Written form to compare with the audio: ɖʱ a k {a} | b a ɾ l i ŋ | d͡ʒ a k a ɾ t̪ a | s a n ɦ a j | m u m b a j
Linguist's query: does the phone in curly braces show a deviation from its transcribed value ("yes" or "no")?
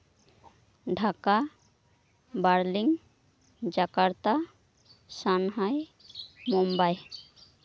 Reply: no